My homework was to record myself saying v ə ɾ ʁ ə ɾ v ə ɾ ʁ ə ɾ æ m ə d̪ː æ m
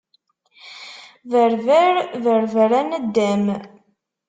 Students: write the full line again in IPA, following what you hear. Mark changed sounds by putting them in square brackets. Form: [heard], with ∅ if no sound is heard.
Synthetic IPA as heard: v ə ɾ [v] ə ɾ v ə ɾ [v] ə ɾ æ [n] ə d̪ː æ m